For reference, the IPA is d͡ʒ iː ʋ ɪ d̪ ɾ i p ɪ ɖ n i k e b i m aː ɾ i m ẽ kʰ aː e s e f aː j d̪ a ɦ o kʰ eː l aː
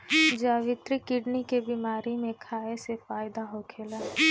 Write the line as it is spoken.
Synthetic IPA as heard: d͡ʒ aː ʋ ɪ t̪ ɾ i k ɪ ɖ n i k e b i m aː ɾ i m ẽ kʰ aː e s e f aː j d̪ a ɦ o kʰ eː l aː

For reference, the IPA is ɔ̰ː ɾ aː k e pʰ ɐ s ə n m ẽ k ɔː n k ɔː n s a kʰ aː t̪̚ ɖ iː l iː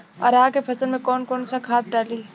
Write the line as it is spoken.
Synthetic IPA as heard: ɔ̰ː ɾ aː k e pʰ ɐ s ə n m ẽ k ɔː n k ɔː n s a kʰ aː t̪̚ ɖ aː l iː

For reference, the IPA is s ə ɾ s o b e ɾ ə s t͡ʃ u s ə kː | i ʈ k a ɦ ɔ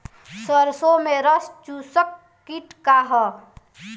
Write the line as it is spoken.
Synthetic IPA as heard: s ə ɾ s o m e ɾ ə s t͡ʃ u s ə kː | i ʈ k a ɦ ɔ

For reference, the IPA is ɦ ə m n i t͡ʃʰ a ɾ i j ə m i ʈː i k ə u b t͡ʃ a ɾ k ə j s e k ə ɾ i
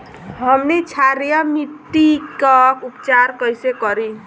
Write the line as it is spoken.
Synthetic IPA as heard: ɦ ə m n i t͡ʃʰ a ɾ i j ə m i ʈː i k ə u p t͡ʃ a ɾ k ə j s e k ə ɾ i

